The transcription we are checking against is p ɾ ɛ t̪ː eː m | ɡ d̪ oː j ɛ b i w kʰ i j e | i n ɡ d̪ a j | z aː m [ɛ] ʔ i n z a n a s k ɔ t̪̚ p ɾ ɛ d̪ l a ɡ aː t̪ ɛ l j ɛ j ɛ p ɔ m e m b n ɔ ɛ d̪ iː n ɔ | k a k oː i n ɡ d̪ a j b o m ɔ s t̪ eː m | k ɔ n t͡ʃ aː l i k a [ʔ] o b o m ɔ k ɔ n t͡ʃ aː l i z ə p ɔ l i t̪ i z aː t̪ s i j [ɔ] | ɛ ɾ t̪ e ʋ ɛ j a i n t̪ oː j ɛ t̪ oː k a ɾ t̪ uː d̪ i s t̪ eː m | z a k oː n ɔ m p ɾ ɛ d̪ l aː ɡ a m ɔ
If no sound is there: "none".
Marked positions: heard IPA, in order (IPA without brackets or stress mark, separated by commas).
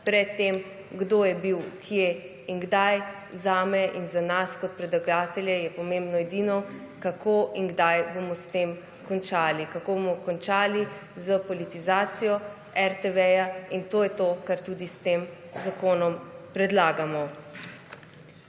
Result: ɛ, k, ɔ